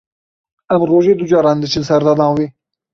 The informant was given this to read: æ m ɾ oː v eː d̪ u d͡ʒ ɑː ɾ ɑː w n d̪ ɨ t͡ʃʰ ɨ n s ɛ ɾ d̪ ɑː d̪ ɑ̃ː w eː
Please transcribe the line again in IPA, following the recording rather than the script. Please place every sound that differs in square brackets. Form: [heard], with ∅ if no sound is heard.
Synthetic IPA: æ m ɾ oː [ʒ] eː d̪ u d͡ʒ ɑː ɾ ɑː [∅] n d̪ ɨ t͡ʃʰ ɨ n s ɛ ɾ d̪ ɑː d̪ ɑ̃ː w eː